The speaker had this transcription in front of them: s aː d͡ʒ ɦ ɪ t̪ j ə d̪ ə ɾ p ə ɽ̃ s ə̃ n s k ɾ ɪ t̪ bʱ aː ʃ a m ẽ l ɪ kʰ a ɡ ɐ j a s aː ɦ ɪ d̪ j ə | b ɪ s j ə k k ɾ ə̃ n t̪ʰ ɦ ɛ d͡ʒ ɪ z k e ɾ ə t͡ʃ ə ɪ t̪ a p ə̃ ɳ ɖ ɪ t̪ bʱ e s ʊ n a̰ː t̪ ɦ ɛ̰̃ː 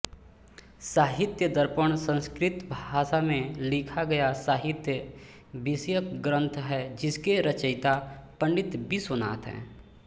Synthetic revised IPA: s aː ɦ ɪ t̪ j ə d̪ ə ɾ p ə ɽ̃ s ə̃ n s k ɾ ɪ t̪ bʱ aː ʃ a m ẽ l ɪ kʰ a ɡ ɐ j a s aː ɦ ɪ t̪ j ə | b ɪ s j ə k ɡ ɾ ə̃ n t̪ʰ ɦ ɛ d͡ʒ ɪ s k e ɾ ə t͡ʃ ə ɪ t̪ a p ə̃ ɳ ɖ ɪ t̪ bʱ i s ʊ n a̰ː t̪ ɦ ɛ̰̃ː